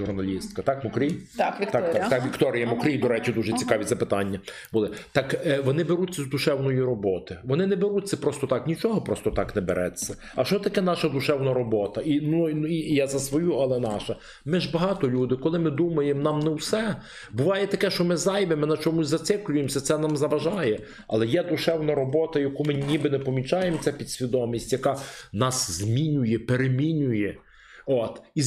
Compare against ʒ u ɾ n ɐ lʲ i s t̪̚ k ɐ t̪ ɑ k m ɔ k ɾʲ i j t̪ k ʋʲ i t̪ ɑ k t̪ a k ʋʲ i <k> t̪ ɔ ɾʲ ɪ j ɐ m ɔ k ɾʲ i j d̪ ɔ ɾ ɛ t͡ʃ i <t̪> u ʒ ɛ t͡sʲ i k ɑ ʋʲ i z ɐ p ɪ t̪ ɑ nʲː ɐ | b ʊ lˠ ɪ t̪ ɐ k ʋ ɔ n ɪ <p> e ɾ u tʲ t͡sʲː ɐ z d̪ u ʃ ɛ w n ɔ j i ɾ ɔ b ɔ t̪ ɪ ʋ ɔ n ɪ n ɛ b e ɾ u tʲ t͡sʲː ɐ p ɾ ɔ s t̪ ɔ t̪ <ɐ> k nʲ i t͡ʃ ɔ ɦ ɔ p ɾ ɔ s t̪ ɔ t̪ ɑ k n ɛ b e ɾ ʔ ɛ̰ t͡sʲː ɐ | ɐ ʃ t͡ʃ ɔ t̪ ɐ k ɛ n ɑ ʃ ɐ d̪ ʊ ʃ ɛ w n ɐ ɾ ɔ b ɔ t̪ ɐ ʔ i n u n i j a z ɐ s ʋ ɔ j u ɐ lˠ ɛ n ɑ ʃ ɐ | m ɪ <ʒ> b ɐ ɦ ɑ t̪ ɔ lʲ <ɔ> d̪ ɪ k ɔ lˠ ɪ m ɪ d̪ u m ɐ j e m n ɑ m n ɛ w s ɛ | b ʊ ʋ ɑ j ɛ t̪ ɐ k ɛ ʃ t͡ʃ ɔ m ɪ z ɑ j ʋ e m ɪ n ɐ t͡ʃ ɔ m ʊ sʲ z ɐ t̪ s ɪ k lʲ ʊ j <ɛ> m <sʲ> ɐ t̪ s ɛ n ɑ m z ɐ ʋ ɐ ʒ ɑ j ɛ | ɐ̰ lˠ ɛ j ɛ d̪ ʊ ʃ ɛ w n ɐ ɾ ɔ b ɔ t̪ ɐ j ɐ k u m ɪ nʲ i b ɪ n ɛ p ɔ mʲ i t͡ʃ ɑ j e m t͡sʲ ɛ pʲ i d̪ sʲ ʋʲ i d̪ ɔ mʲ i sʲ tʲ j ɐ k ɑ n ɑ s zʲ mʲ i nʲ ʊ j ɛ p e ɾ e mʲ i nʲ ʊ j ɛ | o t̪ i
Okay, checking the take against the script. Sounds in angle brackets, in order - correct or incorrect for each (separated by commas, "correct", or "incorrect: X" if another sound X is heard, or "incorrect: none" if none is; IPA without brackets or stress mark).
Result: correct, incorrect: d̪, incorrect: b, incorrect: ɑ, correct, incorrect: u, incorrect: e, correct